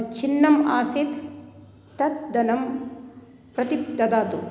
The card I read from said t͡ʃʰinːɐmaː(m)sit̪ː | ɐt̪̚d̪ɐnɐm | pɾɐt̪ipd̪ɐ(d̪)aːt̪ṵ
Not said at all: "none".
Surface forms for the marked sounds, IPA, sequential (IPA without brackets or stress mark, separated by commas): none, d̪